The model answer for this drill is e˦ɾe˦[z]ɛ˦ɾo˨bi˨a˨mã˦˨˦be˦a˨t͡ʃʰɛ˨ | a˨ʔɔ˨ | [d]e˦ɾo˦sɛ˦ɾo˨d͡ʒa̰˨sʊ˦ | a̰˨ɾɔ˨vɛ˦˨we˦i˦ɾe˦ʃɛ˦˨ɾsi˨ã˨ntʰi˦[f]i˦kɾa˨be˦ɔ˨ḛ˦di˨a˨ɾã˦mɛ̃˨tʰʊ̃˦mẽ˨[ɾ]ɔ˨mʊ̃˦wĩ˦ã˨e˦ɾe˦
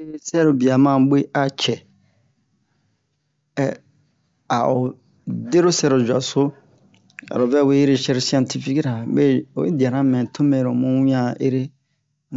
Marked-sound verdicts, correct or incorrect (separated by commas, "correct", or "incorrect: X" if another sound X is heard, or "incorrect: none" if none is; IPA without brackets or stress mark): incorrect: s, correct, correct, correct